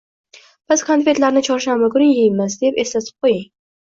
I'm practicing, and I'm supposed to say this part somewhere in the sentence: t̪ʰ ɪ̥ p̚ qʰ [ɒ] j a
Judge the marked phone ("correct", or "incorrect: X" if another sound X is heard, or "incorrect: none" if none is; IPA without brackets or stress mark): incorrect: o